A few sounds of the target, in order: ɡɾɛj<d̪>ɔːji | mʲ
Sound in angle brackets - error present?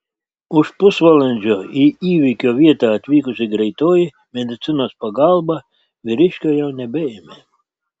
yes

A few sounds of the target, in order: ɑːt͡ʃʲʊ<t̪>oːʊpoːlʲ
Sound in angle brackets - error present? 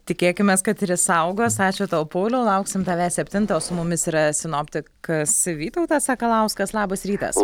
no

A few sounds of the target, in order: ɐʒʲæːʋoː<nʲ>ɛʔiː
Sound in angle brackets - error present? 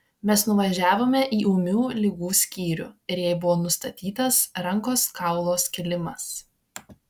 yes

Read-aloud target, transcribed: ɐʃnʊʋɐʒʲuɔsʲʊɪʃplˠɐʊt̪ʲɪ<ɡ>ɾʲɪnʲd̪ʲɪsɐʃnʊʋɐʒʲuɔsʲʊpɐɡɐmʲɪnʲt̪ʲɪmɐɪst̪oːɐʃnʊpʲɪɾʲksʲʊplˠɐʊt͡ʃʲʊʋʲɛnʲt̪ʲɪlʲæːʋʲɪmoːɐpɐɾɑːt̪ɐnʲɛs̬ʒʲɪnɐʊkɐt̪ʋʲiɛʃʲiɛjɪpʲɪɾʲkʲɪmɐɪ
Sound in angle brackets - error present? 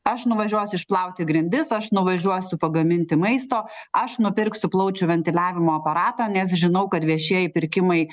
no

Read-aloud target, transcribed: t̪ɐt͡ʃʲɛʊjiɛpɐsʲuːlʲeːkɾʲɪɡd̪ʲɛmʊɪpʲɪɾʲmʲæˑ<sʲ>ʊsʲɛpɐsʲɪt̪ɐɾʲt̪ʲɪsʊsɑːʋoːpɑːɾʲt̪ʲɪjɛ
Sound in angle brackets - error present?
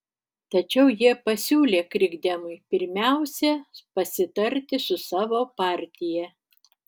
yes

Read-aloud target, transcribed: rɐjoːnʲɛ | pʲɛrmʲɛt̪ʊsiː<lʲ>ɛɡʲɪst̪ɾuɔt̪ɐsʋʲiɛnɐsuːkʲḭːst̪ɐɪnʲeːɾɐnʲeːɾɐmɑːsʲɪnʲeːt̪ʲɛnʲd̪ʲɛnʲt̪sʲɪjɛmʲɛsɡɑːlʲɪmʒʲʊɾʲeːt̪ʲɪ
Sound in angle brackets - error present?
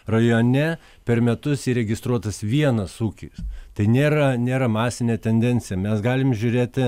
yes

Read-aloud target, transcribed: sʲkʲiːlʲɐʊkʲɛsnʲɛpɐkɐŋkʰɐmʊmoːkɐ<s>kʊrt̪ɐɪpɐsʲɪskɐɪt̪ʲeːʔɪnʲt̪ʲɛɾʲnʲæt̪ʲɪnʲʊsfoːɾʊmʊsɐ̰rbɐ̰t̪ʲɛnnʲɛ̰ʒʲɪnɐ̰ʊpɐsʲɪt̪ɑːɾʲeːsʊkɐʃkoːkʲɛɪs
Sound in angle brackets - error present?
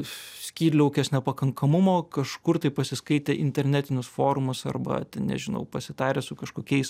yes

